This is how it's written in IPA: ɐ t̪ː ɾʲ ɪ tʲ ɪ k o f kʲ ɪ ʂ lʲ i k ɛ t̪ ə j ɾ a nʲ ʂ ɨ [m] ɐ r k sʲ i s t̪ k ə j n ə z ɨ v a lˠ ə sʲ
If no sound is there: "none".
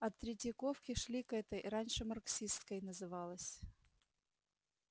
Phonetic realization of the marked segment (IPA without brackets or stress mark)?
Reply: m